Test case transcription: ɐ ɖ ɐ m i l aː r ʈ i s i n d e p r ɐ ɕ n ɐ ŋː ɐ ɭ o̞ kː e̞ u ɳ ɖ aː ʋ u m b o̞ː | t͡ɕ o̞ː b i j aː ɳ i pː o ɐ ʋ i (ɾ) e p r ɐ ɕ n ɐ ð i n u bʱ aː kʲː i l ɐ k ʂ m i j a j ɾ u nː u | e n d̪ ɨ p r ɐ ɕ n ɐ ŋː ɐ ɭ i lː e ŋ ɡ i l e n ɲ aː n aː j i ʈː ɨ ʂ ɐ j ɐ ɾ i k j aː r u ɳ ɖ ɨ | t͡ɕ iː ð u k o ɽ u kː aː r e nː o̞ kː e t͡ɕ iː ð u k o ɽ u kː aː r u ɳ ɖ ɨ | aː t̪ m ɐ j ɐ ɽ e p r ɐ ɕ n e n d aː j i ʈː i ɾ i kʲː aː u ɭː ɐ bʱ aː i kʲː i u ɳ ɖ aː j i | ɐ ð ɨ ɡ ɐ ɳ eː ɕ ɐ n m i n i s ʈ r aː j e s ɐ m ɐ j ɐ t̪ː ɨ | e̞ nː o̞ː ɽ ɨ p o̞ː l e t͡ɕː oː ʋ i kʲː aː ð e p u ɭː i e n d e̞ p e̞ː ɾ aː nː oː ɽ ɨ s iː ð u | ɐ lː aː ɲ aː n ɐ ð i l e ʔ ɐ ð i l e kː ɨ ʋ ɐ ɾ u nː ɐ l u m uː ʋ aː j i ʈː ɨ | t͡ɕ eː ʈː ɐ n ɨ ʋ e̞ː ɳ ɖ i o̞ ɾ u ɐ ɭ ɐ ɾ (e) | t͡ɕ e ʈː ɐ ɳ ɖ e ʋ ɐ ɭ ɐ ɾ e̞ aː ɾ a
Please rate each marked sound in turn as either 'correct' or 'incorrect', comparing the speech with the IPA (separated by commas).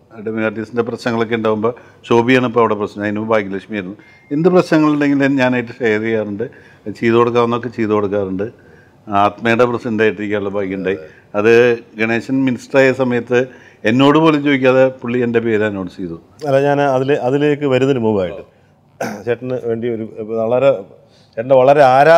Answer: incorrect, correct